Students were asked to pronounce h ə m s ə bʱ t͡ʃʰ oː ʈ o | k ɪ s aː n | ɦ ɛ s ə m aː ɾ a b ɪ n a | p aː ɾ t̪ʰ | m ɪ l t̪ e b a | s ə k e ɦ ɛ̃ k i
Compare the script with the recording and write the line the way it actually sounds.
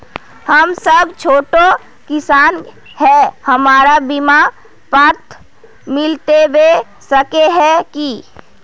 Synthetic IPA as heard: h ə m s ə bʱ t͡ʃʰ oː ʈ o | k ɪ s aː n | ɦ ɛ h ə m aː ɾ a b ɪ m a | p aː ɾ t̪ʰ | m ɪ l t̪ e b e | s ə k e ɦ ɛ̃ k i